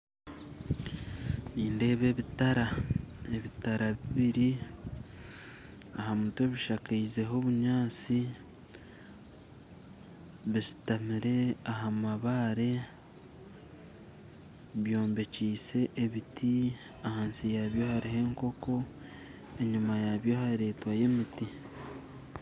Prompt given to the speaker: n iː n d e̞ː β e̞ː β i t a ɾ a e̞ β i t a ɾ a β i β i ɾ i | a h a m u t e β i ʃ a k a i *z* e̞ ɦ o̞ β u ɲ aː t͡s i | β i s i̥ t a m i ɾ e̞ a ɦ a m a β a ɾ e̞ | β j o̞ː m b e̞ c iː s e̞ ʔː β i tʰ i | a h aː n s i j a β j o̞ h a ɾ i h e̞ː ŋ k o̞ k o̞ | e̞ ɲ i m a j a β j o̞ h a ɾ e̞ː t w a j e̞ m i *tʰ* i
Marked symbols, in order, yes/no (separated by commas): yes, no